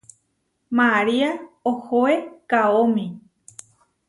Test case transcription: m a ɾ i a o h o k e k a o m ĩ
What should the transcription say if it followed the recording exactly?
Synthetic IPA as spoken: m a ɾ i a o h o e k a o m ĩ

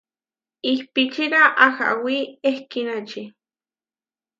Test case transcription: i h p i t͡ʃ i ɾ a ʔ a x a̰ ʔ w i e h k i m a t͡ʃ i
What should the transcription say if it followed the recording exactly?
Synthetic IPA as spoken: i h p i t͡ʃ i ɾ a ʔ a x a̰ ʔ w i e h k i n a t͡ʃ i

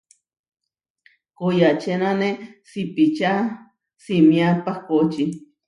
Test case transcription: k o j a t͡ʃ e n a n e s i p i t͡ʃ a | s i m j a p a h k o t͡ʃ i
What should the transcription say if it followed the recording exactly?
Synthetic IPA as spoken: k o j a t͡ʃ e n a n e s i p i t͡ʃ a | s i m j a p a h k o t͡ʃ i

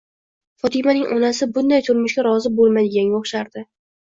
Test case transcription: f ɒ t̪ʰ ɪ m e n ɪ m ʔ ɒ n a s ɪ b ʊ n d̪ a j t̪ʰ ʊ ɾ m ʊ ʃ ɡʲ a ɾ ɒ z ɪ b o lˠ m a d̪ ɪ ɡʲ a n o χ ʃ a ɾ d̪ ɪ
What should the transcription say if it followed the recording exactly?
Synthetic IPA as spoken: f ɒ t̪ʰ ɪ m a n ɪ ŋ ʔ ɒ n a s ɪ b ʊ n d̪ a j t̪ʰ ʊ ɾ m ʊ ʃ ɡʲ a ɾ ɒ z ɪ b o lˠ m a d̪ ɪ ɡʲ a n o χ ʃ a ɾ d̪ ɪ

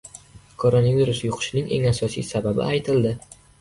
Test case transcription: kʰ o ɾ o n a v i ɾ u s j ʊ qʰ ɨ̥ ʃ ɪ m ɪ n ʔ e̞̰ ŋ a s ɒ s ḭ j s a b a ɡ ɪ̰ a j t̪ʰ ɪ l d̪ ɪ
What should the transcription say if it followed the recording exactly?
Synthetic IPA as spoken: kʰ o ɾ o n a v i ɾ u s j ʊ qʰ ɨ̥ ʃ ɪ n ɪ ŋ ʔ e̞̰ ŋ a s ɒ s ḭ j s a b a b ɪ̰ a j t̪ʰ ɪ l d̪ ɪ

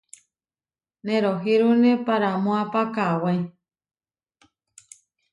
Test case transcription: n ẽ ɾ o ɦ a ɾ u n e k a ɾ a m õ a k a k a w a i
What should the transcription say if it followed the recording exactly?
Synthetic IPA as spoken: n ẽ ɾ o ɦ i ɾ u n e p a ɾ a m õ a p a k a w a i

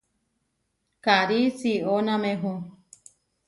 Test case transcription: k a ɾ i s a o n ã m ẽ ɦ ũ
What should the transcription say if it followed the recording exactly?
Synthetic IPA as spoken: k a ɾ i s i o n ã m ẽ ɦ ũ

